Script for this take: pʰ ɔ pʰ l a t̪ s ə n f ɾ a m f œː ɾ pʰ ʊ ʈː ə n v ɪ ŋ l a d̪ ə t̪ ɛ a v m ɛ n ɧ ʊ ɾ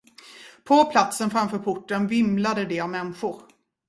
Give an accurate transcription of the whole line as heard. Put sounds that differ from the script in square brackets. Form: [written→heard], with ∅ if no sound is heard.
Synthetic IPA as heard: pʰ ɔ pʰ l a t̪ s ə n f ɾ a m f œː ɾ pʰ ʊ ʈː ə n v ɪ [ŋ→m] l a d̪ ə [t̪→d̪] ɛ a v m ɛ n ɧ ʊ ɾ

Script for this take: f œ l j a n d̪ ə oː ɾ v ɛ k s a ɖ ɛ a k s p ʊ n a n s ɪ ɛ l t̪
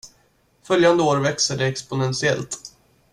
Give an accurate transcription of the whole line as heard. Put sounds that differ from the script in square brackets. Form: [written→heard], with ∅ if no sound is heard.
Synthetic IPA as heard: f œ l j a n d̪ ə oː ɾ v ɛ k s [a→ə] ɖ ɛ [a→ɛ] k s p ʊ n [a→ɛ] n s ɪ ɛ l t̪

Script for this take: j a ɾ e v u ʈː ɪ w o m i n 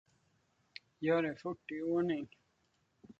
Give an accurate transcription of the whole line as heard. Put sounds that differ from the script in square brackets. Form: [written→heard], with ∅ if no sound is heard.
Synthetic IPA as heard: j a ɾ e [v→f] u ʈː [ɪ→i] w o [m→n] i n

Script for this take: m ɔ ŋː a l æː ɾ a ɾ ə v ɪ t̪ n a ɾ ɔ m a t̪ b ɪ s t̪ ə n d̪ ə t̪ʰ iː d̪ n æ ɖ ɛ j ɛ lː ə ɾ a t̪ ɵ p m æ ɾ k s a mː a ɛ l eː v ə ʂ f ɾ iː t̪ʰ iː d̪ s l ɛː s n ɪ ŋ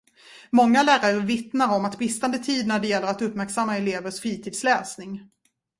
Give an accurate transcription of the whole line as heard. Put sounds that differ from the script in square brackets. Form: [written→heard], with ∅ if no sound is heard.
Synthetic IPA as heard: m ɔ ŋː a l æː ɾ a ɾ ə v ɪ t̪ n a ɾ ɔ m a t̪ b ɪ s t̪ [ə→a] n d̪ ə t̪ʰ iː d̪ n æ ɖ ɛ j ɛ lː ə ɾ a t̪ ɵ p m æ ɾ k s a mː a ɛ l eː v ə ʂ f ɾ iː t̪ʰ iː d̪ s l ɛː s n ɪ ŋ

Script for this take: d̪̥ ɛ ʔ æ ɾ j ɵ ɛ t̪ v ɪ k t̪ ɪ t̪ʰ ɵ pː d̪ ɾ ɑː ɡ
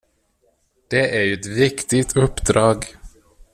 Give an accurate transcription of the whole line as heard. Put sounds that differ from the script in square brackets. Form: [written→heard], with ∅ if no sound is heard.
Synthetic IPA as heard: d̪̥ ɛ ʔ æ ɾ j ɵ ɛ t̪ v ɪ k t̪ ɪ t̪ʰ ɵ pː d̪ ɾ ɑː ɡ

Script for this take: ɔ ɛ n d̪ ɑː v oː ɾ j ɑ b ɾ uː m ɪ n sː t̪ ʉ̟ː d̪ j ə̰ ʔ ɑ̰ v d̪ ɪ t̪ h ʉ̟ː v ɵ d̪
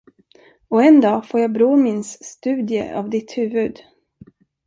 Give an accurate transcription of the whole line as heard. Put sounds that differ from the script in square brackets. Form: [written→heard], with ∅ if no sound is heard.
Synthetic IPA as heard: ɔ ɛ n d̪ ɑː [v→f] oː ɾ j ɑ b ɾ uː m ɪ n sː t̪ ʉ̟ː d̪ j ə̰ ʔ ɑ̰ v d̪ ɪ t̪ h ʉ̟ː v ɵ d̪

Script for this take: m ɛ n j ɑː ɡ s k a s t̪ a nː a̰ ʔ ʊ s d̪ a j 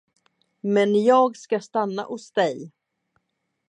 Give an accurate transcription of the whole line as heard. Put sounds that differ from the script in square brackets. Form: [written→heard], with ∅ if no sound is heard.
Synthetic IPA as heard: m ɛ n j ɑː ɡ s k a s t̪ a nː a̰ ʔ ʊ s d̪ [a→ɛ] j

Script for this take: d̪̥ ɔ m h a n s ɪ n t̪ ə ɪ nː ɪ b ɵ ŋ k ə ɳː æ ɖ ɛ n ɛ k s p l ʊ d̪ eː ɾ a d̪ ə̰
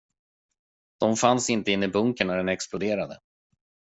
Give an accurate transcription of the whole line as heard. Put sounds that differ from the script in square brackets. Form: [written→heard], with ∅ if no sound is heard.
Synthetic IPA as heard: d̪̥ ɔ m [h→f] a n s ɪ n t̪ ə ɪ nː ɪ b ɵ ŋ k ə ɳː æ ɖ ɛ n ɛ k s p l ʊ d̪ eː ɾ a d̪ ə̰

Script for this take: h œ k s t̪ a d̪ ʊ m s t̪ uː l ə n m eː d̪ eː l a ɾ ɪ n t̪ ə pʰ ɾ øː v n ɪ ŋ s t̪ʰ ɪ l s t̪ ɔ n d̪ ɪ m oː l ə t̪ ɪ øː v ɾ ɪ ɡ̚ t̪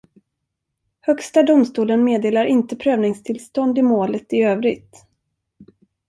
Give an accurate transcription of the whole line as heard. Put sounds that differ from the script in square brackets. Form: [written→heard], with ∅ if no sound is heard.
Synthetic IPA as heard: h œ k s t̪ a d̪ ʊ m s t̪ uː l ə n m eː d̪ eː l a ɾ ɪ n t̪ ə pʰ ɾ øː v n ɪ ŋ s t̪ʰ ɪ l s t̪ ɔ n d̪ ɪ m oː l ə t̪ ɪ øː v ɾ ɪ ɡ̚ t̪

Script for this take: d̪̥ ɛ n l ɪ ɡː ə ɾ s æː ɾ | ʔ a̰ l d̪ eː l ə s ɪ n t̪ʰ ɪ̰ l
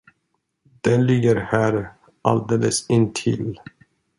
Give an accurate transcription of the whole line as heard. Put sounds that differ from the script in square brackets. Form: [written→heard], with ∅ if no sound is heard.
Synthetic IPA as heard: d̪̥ ɛ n l ɪ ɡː ə ɾ [s→h] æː ɾ | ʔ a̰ l d̪ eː l ə s ɪ n t̪ʰ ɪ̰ l

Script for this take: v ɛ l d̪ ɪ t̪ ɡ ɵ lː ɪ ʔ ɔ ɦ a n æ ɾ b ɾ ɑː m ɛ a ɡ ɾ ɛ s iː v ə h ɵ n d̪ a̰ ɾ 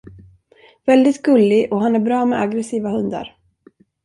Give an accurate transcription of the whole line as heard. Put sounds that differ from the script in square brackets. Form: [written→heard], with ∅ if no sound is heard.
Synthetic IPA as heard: v ɛ l d̪ ɪ t̪ ɡ ɵ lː ɪ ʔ ɔ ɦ a n æ ɾ b ɾ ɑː m ɛ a ɡ ɾ ɛ s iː v [ə→a] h ɵ n d̪ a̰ ɾ

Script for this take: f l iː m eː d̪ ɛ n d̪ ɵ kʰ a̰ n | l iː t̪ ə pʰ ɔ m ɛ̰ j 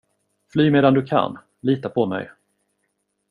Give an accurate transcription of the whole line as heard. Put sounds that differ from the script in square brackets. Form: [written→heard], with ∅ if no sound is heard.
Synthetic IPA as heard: f l [iː→yː] m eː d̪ [ɛ→a] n d̪ ɵ kʰ a̰ n | l iː t̪ [ə→a] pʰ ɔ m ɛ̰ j

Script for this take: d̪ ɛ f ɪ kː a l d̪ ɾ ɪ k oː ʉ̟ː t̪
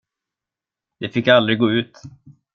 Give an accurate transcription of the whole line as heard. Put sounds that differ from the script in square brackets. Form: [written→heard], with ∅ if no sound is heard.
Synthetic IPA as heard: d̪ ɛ f ɪ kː a l d̪ ɾ ɪ [k→ɡ] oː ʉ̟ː t̪

